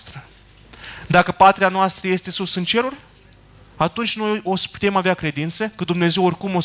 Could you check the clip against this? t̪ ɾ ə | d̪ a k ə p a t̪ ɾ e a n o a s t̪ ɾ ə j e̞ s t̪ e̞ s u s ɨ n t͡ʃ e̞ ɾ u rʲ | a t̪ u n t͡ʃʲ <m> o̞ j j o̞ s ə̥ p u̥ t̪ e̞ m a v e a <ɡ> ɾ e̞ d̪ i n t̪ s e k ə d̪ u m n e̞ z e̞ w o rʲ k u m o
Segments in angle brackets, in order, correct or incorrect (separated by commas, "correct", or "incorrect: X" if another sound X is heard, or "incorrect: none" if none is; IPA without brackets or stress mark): incorrect: n, incorrect: k